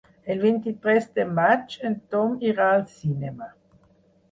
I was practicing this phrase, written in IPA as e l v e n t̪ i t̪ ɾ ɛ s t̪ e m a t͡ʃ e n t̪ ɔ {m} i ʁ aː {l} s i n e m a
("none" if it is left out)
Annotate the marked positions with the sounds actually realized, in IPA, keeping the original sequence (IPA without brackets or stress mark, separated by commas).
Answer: m, l